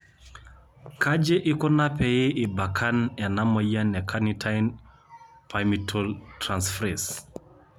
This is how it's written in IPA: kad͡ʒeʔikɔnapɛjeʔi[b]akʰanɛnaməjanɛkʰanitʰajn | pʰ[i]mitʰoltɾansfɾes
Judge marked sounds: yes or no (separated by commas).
yes, no